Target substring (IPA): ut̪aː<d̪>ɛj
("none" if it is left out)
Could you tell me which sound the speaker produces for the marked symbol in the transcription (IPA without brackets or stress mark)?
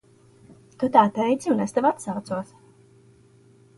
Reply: t̪